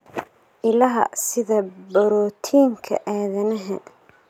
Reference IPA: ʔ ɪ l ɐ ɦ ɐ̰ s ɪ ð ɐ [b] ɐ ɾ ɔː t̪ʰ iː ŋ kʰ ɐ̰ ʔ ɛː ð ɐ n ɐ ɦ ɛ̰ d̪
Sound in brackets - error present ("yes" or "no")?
no